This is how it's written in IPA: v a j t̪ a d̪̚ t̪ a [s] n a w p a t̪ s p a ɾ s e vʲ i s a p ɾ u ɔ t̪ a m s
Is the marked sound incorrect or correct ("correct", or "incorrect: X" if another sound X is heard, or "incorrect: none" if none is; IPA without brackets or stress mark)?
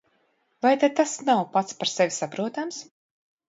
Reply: correct